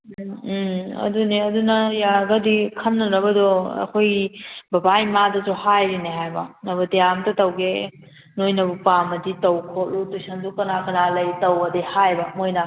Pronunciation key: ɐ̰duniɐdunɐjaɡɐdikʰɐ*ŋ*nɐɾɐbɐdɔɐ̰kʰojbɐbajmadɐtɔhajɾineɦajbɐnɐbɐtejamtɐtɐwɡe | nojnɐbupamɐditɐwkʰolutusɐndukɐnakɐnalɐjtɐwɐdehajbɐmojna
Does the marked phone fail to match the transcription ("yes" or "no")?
yes